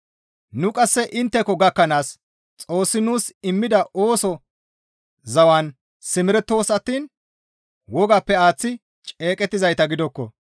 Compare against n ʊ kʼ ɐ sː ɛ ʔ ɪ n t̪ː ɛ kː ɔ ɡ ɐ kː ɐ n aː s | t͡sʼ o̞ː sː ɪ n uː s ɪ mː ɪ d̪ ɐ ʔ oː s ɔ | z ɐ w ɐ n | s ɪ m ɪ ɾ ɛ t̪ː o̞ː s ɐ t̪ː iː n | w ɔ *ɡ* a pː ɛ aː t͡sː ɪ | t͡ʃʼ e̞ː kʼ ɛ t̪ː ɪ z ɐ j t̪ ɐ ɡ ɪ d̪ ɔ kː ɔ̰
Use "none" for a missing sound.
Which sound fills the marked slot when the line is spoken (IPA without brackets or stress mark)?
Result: ɡ